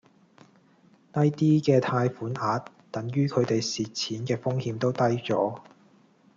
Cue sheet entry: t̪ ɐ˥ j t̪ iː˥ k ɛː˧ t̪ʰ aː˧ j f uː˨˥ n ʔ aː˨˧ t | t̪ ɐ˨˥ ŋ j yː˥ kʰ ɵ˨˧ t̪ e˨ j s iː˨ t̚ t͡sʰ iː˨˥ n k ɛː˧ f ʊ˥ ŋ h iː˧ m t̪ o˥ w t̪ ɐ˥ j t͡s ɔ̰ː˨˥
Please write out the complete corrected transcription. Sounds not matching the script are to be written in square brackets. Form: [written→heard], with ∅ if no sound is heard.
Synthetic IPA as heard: t̪ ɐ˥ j t̪ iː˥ k ɛː˧ t̪ʰ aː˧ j f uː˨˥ n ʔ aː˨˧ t | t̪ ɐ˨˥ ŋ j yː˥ kʰ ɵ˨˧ t̪ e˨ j s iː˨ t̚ t͡sʰ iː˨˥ n k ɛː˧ f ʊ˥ ŋ h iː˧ m t̪ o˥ w t̪ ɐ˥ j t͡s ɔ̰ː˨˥

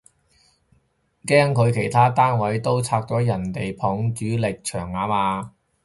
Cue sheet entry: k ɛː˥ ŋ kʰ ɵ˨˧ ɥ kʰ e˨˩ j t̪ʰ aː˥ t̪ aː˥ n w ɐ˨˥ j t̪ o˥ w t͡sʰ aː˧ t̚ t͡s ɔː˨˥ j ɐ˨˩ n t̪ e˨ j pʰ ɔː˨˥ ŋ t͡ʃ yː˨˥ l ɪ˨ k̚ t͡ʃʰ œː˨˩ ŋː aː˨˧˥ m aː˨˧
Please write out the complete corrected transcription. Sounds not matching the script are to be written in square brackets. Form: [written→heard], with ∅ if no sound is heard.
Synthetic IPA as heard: k ɛː˥ ŋ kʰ ɵ˨˧ ɥ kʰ e˨˩ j t̪ʰ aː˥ t̪ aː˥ n w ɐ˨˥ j t̪ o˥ w t͡sʰ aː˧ [t̚→k̚] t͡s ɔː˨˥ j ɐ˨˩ n t̪ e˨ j pʰ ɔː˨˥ ŋ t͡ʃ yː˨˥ l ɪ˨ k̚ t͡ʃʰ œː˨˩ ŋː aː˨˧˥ m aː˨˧

